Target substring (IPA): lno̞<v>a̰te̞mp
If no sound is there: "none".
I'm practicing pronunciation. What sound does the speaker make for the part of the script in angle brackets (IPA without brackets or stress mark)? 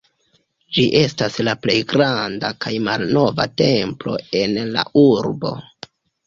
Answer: v